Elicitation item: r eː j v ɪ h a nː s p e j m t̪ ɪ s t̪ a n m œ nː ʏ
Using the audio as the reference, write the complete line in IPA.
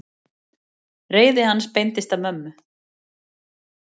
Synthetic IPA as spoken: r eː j ð ɪ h a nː s p e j n t̪ ɪ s t̪ a m œ mː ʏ